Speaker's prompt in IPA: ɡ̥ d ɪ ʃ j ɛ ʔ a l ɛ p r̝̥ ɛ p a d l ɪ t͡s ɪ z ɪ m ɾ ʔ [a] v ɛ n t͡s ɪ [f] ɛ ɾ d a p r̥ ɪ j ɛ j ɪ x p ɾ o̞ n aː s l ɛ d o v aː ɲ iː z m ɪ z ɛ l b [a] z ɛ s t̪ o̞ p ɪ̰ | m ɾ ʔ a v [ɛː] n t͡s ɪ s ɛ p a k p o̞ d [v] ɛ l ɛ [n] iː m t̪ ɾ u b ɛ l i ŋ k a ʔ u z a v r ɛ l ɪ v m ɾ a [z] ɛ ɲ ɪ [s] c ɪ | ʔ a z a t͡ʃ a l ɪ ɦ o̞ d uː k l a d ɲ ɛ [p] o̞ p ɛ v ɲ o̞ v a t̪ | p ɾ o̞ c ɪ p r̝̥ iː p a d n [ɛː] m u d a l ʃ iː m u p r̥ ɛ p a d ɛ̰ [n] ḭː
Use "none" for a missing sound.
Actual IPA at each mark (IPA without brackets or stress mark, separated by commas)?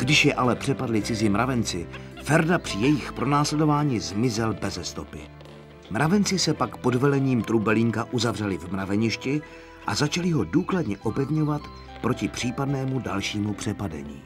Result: a, f, ɛ, ɛ, v, ɲ, v, ʃ, ʔ, ɛː, ɲ